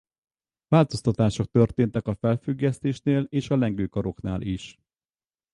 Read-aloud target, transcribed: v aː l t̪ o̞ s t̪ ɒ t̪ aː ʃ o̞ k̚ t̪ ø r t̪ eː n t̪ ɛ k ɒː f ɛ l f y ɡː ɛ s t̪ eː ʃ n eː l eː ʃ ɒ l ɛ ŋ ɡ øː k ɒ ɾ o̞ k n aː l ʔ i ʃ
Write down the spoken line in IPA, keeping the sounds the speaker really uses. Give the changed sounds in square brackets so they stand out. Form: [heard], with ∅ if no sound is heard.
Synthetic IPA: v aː l t̪ o̞ s t̪ ɒ t̪ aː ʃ o̞ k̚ t̪ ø r t̪ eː n t̪ ɛ k [ɒ] f ɛ l f y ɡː ɛ s t̪ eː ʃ n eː l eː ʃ ɒ l ɛ ŋ ɡ øː k ɒ ɾ o̞ k n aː l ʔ i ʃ